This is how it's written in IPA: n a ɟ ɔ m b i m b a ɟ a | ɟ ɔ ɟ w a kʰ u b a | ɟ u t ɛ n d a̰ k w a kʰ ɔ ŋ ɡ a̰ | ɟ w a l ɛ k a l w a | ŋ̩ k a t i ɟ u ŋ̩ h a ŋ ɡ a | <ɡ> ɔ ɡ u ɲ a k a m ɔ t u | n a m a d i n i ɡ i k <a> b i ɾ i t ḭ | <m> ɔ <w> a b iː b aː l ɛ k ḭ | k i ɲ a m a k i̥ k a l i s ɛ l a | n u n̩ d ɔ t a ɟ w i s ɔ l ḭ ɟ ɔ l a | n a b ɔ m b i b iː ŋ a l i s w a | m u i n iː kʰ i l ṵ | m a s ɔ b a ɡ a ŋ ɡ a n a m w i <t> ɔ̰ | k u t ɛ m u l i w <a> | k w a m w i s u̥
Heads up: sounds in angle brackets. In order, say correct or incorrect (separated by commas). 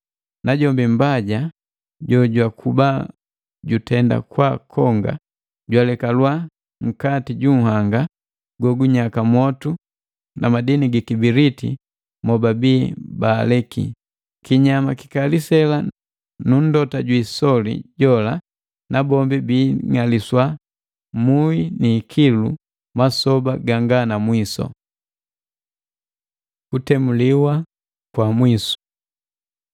correct, incorrect, correct, incorrect, incorrect, correct